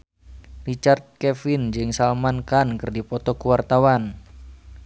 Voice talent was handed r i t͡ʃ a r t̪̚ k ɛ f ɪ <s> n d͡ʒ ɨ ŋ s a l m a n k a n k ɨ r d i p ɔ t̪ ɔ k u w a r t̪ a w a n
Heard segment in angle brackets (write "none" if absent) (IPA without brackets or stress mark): none